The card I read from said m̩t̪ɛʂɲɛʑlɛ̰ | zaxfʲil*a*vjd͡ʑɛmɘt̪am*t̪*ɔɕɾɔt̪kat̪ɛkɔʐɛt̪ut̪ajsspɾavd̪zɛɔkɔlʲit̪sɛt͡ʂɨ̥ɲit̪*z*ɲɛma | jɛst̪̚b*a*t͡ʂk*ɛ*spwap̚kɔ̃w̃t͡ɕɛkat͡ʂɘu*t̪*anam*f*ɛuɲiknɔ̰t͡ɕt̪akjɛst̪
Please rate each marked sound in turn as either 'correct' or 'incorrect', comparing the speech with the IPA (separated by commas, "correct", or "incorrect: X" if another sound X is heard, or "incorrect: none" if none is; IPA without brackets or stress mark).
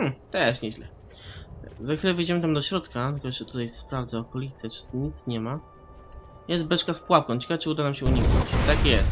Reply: incorrect: ɛ, incorrect: d̪, incorrect: s, incorrect: ɛ, incorrect: a, incorrect: d̪, incorrect: ɕ